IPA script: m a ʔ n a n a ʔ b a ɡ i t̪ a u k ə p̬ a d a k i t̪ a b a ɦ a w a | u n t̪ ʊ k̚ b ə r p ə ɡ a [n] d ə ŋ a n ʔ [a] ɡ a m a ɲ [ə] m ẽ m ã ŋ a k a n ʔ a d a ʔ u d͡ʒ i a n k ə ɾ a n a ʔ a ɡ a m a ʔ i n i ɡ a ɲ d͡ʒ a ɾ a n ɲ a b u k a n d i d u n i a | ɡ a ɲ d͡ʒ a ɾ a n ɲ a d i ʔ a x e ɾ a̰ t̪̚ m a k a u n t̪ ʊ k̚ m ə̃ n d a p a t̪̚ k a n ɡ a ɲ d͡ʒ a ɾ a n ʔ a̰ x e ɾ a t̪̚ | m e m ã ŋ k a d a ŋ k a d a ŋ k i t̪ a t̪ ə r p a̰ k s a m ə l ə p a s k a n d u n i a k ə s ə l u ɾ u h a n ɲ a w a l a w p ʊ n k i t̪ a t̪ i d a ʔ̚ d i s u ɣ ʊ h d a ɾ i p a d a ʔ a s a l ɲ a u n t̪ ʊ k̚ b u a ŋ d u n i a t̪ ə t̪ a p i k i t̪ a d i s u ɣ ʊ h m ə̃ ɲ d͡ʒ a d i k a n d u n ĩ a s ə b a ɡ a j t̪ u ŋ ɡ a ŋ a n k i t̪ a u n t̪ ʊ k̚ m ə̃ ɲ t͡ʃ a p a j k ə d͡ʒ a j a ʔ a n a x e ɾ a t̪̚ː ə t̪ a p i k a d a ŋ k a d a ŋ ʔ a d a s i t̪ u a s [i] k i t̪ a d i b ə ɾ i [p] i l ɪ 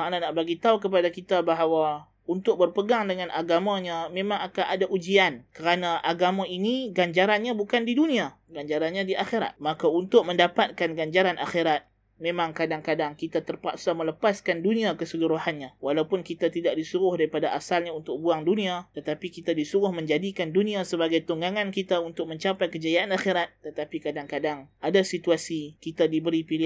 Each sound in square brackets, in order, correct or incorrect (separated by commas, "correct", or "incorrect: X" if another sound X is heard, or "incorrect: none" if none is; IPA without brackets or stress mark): incorrect: ŋ, correct, incorrect: a, correct, correct